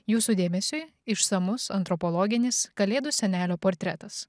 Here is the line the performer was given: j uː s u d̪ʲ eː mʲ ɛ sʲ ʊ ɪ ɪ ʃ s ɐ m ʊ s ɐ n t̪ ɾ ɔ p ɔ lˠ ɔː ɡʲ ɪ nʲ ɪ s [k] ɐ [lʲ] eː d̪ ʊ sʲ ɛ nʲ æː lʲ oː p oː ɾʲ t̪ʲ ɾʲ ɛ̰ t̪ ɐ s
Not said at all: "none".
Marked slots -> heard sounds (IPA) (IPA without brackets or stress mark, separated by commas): k, lʲ